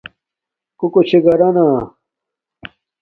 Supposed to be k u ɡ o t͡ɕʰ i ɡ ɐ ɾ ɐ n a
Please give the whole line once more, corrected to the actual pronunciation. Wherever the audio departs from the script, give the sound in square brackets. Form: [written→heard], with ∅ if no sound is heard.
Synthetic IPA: k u [ɡ→k] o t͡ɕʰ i ɡ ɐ ɾ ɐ n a